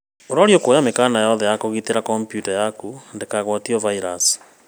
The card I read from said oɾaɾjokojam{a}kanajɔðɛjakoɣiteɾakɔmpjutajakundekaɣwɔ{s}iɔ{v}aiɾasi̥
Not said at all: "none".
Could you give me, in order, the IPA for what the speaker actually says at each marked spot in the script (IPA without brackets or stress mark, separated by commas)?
e, t, v